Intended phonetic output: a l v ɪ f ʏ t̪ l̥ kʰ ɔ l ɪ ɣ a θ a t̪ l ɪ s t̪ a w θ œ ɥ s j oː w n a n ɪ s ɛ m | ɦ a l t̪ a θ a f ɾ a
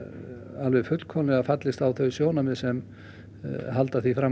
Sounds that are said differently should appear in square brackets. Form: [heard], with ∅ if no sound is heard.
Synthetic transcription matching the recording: a l v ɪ f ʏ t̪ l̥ kʰ ɔ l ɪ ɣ a [f] a t̪ l ɪ s t̪ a w θ œ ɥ s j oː w n a [m] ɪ s ɛ m | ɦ a l t̪ a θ [i] f ɾ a